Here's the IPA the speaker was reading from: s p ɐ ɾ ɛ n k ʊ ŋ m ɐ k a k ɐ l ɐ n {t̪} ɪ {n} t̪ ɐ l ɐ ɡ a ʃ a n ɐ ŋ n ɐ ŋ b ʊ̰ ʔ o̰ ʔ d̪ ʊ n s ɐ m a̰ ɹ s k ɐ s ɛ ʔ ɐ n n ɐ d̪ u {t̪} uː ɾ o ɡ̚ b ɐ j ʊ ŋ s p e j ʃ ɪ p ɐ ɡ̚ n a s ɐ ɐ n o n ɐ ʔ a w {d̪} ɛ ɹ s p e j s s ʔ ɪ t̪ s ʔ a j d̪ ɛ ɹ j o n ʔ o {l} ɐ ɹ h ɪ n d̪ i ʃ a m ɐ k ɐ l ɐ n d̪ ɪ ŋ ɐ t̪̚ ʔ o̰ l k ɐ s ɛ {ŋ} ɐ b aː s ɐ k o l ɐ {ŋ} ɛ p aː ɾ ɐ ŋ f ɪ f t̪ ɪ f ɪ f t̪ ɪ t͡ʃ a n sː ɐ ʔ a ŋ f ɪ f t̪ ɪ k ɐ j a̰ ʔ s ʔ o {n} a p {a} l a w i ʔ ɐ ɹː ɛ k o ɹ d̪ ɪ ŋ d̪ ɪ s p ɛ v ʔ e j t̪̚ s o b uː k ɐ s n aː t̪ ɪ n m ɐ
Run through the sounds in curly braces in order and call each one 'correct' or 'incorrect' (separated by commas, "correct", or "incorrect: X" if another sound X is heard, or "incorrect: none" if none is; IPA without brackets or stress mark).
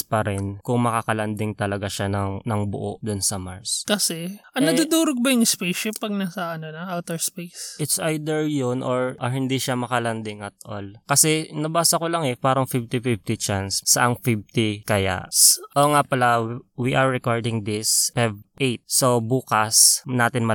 incorrect: d̪, incorrect: ŋ, incorrect: d̪, incorrect: t̪, incorrect: ɹ, incorrect: n, correct, incorrect: ŋ, incorrect: ɐ